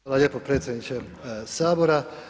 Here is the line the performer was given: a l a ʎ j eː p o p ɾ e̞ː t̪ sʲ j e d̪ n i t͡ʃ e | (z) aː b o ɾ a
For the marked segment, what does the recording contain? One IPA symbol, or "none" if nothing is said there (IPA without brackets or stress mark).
s